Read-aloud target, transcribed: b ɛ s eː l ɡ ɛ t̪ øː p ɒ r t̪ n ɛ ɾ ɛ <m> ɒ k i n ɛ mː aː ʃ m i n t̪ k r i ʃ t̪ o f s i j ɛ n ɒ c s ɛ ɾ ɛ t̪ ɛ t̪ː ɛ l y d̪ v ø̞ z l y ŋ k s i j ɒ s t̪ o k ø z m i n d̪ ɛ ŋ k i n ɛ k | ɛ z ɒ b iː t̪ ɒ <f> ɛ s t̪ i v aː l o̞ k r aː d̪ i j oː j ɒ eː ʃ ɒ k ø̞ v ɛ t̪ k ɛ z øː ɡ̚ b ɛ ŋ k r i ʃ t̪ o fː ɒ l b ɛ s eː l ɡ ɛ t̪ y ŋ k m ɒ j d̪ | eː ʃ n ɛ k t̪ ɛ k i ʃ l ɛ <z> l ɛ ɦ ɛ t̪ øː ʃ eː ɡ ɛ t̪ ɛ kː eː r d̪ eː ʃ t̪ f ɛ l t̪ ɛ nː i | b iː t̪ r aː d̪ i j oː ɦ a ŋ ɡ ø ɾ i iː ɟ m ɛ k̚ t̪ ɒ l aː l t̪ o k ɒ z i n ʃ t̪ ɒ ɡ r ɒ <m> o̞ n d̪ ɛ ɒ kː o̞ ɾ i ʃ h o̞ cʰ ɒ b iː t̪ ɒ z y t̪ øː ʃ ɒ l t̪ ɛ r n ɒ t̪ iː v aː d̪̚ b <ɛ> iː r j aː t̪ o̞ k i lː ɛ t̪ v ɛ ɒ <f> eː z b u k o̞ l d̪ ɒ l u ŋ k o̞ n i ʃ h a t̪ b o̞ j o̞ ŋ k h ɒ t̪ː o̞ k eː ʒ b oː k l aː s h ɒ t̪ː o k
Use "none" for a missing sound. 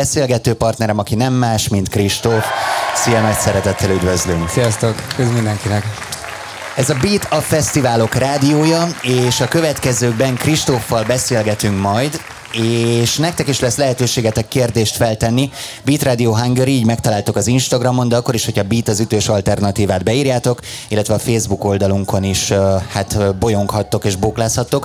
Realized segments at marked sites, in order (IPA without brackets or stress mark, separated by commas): m, f, s, m, ɛ, f